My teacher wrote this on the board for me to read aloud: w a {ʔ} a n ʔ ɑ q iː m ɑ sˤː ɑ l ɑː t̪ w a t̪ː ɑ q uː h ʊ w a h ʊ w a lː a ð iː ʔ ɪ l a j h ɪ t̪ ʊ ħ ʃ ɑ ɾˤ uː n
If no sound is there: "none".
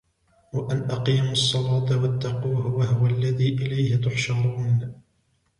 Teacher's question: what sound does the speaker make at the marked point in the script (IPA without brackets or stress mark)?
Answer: ʔ